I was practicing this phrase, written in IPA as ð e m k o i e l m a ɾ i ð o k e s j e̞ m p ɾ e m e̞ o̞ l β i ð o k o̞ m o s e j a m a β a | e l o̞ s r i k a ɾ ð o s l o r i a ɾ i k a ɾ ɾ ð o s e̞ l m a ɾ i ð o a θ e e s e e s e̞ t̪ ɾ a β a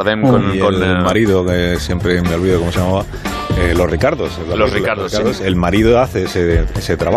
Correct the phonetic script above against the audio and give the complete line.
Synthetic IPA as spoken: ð e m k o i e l m a ɾ i ð o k e s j e̞ m p ɾ e m e̞ o̞ l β i ð o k o̞ m o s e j a m a β a | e l o̞ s r i k a ɾ ð o s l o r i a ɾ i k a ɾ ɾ ð o s e̞ l m a ɾ i ð o a θ e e s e e s e̞ t̪ ɾ a β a